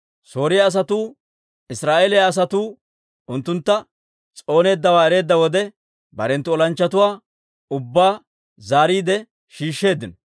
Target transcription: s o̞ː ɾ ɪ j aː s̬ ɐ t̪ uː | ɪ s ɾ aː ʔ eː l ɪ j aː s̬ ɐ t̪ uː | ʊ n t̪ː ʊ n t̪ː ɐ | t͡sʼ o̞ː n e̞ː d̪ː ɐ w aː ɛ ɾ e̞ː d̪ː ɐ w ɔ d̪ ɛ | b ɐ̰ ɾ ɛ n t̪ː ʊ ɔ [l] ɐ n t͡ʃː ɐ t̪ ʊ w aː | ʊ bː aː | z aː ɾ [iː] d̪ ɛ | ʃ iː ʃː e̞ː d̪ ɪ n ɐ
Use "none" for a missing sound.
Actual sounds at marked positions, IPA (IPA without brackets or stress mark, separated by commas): l, iː